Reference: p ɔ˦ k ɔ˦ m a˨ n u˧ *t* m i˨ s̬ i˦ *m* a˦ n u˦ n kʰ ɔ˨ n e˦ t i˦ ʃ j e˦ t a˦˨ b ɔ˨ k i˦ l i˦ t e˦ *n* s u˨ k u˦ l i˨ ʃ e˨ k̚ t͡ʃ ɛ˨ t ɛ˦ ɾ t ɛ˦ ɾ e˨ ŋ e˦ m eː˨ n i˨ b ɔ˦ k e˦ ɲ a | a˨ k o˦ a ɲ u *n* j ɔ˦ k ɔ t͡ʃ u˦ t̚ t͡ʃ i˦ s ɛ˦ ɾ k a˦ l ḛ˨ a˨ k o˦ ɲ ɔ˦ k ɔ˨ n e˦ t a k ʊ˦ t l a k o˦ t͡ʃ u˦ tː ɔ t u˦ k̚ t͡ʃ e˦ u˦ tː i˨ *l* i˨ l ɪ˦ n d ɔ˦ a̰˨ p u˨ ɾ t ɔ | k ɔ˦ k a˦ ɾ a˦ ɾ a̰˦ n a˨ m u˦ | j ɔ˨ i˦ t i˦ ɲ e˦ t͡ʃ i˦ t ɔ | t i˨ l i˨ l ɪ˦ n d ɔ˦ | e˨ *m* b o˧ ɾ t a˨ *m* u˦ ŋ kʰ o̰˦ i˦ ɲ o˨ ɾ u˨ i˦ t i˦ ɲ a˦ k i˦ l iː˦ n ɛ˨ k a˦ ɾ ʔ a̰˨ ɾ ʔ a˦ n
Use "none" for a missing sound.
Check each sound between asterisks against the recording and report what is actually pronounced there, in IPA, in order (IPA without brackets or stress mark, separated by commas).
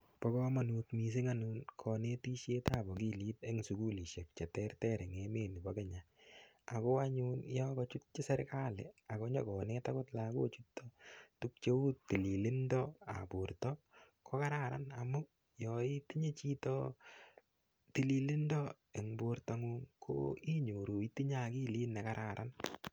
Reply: t, ŋ, ŋ, n, l, ŋ, ŋ